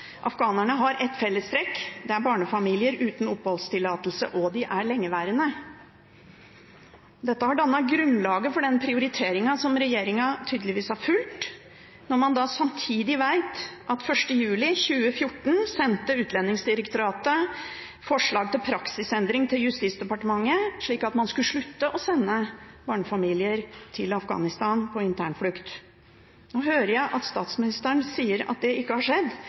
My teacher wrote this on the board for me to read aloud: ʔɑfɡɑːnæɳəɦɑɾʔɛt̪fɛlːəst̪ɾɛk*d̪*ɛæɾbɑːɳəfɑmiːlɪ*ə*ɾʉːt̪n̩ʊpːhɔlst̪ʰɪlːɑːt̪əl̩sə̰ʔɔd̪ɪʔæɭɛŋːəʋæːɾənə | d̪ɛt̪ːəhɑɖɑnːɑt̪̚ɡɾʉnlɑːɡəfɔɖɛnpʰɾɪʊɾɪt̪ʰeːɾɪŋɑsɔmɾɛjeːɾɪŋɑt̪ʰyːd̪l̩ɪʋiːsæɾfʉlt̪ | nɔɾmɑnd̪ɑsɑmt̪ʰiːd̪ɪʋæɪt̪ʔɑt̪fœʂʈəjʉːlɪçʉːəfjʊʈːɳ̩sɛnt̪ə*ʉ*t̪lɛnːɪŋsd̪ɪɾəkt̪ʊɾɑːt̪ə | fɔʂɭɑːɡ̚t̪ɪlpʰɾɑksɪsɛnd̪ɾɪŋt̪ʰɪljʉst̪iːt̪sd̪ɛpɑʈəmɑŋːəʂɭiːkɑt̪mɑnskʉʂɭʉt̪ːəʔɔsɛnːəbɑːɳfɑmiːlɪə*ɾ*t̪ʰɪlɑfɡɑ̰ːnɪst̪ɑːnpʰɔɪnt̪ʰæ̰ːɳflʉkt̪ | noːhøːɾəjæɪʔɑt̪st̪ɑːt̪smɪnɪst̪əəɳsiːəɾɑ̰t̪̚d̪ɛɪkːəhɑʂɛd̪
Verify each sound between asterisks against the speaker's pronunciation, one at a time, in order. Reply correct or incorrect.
correct, correct, incorrect: ʉː, correct

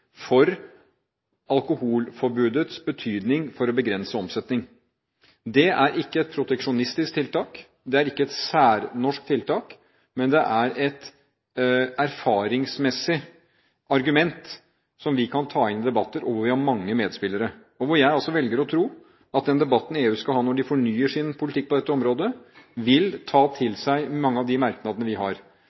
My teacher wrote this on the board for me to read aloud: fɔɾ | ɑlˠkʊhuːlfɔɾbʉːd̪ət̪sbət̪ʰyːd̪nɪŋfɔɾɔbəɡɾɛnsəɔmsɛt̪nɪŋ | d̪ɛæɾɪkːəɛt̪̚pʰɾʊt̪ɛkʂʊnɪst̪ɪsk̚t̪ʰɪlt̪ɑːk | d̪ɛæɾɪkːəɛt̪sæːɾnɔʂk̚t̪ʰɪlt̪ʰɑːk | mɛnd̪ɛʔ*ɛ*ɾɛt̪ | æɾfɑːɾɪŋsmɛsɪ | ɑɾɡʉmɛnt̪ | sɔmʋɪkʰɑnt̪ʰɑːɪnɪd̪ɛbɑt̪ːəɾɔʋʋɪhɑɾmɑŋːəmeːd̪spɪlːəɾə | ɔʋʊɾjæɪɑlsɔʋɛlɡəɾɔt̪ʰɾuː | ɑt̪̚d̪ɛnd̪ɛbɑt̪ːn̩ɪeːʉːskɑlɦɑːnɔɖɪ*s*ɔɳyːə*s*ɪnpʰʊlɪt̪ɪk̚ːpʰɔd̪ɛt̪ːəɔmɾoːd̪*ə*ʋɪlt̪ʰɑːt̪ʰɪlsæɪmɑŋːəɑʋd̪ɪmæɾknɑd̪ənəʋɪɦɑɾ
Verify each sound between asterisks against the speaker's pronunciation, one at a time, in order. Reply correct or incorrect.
incorrect: æ, incorrect: f, incorrect: ʂ, correct

